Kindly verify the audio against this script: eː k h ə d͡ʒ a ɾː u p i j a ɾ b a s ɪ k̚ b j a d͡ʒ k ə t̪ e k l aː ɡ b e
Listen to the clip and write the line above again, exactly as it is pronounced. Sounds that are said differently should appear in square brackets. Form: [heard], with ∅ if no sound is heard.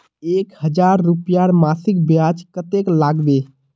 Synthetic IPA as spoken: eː k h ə d͡ʒ a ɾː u p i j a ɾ [m] a s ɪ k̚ b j a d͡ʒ k ə t̪ e k l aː ɡ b e